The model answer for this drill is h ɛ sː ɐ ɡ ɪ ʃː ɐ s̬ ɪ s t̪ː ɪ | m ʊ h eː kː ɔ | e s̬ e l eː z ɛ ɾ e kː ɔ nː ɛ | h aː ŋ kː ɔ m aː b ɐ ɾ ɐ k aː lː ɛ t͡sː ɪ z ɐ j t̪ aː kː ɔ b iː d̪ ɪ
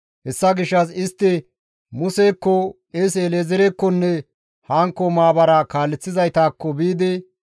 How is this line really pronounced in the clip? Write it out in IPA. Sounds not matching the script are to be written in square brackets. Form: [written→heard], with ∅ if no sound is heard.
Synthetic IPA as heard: h ɛ sː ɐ ɡ ɪ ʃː ɐ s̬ ɪ s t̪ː ɪ | m ʊ [h→s] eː kː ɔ | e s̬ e l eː z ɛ ɾ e kː ɔ nː ɛ | h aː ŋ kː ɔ m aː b ɐ ɾ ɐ k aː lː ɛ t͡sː ɪ z ɐ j t̪ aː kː ɔ b iː d̪ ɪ